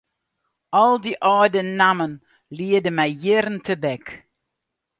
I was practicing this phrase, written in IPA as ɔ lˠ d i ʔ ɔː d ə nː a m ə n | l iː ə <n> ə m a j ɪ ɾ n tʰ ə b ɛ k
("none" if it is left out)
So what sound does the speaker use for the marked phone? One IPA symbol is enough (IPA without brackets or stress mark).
d